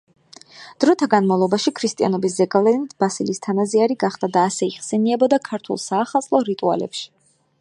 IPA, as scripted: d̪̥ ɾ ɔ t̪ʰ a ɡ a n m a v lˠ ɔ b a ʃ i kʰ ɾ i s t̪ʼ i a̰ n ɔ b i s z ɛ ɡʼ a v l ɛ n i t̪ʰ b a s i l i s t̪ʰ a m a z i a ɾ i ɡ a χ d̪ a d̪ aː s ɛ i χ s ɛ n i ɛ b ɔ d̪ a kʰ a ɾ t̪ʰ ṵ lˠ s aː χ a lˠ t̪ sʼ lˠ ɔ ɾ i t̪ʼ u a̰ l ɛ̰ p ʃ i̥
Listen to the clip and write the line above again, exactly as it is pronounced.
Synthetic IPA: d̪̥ ɾ ɔ t̪ʰ a ɡ a n m a v lˠ ɔ b a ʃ i kʰ ɾ i s t̪ʼ i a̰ n ɔ b i s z ɛ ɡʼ a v l ɛ n i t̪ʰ b a s i l i s t̪ʰ a n a z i a ɾ i ɡ a χ d̪ a d̪ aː s ɛ i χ s ɛ n i ɛ b ɔ d̪ a kʰ a ɾ t̪ʰ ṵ lˠ s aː χ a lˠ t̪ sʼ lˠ ɔ ɾ i t̪ʼ u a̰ l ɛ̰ p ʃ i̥